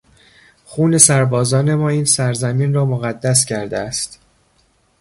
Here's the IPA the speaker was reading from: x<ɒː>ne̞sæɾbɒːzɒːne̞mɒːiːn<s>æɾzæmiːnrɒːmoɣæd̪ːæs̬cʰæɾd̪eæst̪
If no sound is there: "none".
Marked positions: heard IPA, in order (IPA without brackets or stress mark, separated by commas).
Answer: uː, s